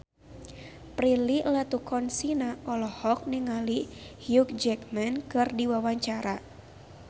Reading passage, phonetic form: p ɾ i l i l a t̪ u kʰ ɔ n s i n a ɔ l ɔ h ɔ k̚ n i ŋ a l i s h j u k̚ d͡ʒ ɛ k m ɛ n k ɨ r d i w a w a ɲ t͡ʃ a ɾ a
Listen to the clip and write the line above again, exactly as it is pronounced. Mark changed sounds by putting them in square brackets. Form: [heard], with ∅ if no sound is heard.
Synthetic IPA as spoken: p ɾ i l i l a t̪ u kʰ ɔ n s i n a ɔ l ɔ h ɔ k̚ n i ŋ a l i [∅] h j u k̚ d͡ʒ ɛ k m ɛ n k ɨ r d i w a w a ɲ t͡ʃ a ɾ a